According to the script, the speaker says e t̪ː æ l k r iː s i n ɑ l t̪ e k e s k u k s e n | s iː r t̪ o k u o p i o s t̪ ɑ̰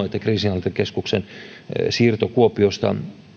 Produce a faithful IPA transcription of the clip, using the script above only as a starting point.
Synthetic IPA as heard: e t̪ː æ k r iː s i n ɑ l t̪ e k e s k u k s e n | s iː r t̪ o k u o p i o s t̪ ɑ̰